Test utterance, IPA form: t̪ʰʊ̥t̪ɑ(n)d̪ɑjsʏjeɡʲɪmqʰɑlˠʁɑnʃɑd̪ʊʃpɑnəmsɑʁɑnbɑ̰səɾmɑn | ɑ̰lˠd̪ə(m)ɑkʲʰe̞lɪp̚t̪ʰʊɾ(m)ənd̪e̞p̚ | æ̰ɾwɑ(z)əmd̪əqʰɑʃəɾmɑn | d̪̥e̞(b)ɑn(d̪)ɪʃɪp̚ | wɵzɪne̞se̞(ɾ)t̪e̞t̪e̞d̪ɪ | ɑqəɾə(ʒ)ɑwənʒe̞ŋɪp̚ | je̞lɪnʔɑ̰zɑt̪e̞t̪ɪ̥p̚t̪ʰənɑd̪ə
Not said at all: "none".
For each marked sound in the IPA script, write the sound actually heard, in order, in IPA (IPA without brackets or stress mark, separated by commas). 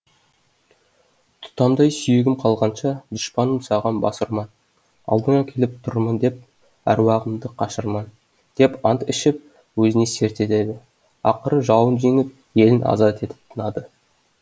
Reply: m, ɴ, m, ʁ, p, t̪, ɾ, ʒ